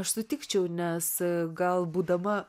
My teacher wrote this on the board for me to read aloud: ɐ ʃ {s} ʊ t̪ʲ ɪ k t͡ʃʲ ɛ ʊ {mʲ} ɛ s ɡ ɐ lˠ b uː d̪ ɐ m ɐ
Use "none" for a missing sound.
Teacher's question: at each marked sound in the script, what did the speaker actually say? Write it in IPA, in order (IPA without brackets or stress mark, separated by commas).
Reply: s, nʲ